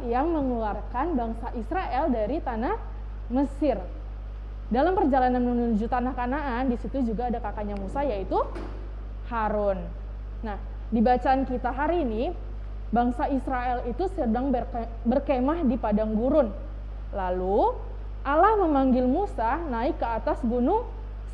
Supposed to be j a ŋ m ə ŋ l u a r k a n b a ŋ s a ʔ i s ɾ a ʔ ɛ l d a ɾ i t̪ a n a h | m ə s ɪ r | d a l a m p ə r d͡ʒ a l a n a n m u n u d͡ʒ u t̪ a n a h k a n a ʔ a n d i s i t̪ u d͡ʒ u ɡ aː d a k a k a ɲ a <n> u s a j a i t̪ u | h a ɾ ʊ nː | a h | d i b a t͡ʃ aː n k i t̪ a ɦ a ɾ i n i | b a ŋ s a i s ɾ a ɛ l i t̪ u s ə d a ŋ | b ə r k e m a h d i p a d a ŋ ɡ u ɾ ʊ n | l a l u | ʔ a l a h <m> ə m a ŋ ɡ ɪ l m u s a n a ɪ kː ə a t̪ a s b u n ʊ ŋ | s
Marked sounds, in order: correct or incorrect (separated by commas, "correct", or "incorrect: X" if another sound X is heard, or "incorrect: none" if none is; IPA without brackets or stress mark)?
incorrect: m, correct